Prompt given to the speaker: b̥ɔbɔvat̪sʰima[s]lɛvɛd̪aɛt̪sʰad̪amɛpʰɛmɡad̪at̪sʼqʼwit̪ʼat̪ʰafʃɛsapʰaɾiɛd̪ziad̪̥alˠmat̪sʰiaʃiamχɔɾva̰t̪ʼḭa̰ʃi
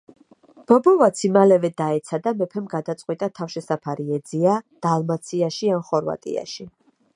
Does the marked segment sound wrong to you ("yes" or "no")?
yes